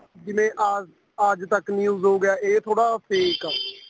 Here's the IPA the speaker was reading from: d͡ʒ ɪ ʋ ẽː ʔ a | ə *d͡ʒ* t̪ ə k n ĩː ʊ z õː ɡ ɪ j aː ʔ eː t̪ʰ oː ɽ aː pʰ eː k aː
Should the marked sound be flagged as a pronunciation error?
no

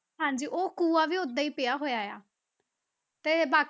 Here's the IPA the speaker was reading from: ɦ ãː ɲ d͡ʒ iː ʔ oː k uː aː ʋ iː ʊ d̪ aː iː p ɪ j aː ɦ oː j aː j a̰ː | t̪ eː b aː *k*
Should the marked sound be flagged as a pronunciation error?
no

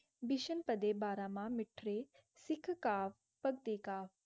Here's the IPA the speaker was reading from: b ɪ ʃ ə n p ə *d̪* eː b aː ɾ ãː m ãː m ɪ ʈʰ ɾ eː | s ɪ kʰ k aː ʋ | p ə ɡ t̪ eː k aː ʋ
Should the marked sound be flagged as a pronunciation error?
no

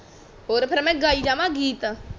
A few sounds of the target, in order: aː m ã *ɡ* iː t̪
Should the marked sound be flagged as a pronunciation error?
no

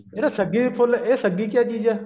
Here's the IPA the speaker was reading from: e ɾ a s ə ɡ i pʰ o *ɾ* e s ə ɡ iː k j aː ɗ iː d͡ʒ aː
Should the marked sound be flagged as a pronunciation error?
yes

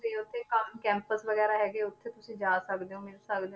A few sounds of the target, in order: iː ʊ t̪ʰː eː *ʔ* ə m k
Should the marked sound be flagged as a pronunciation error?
yes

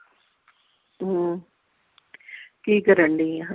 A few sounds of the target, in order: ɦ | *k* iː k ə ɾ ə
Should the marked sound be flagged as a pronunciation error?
no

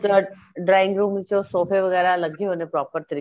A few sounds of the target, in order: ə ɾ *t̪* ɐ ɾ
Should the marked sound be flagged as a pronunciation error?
no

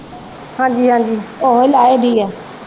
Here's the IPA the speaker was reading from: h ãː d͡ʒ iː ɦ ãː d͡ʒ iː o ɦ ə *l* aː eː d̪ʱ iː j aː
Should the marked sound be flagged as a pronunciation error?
no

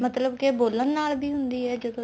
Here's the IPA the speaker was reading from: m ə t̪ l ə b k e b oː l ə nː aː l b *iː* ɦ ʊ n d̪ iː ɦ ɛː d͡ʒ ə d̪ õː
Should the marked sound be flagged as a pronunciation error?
no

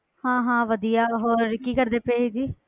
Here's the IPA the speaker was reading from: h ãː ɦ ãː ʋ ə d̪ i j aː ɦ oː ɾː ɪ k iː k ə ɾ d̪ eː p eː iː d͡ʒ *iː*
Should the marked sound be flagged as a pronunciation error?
no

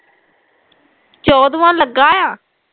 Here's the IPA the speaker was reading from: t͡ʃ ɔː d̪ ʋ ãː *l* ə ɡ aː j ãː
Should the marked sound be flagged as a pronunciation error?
no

